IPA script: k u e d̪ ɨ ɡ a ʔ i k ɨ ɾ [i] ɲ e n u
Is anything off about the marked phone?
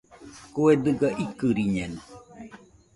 no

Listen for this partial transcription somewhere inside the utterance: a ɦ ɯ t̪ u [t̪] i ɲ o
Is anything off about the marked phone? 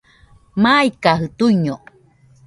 yes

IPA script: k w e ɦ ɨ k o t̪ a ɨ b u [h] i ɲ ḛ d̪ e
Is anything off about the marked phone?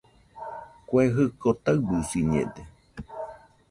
yes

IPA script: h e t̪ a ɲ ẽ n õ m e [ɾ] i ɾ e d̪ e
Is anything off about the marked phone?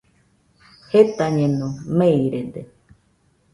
yes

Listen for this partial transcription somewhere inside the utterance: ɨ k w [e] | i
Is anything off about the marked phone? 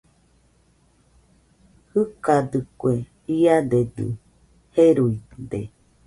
no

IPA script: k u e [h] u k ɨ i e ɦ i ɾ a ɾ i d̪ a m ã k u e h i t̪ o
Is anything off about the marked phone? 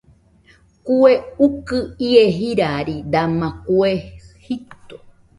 yes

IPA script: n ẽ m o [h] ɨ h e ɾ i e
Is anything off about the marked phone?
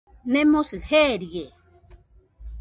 yes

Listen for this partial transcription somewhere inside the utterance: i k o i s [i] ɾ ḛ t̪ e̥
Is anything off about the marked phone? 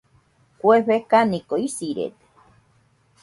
no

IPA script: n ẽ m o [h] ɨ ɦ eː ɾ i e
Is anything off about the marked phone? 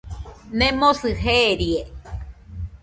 yes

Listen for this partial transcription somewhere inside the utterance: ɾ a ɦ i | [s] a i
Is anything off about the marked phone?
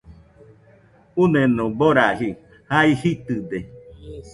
yes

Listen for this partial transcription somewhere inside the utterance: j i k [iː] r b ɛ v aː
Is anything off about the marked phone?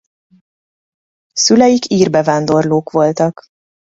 no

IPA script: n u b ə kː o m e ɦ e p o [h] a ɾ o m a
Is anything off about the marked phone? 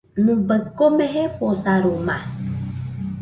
yes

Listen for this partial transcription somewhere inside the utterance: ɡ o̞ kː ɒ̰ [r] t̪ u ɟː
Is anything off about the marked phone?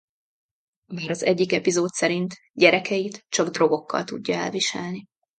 yes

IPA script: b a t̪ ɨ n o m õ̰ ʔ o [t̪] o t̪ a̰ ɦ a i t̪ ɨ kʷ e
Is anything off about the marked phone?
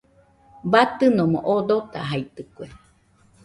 yes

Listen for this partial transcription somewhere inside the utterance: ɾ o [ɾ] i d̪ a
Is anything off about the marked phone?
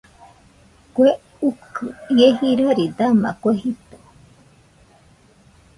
no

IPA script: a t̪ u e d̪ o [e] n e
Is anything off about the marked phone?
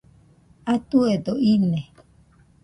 yes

